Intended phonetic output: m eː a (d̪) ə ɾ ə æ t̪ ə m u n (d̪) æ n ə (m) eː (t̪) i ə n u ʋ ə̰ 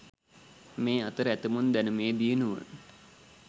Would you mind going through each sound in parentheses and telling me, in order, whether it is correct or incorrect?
incorrect, correct, correct, incorrect

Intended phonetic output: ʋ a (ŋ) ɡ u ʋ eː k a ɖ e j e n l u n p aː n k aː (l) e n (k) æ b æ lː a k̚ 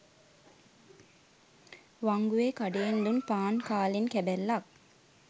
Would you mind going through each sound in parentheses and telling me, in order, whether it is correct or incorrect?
correct, correct, correct

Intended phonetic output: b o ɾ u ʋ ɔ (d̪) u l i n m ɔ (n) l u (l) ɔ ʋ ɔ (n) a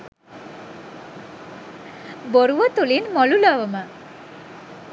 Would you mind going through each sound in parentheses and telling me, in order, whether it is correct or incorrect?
incorrect, incorrect, correct, incorrect

